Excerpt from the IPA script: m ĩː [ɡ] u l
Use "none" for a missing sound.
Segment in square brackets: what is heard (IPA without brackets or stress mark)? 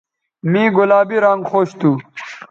ɡ